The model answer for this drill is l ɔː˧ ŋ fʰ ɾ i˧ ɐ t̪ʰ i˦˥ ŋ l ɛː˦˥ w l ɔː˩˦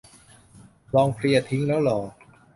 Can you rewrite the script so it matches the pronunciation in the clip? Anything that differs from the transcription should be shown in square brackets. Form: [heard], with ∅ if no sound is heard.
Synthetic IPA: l ɔː˧ ŋ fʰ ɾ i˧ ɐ t̪ʰ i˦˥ ŋ l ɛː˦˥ w l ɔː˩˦